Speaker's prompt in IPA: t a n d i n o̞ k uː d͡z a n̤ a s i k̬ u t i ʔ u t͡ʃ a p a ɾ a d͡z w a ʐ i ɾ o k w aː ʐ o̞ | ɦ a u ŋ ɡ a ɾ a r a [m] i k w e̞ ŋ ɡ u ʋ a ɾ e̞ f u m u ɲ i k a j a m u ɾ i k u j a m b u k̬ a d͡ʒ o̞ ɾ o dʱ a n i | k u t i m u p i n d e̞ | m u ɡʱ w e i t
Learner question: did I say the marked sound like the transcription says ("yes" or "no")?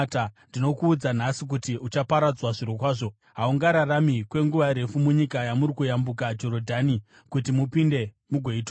yes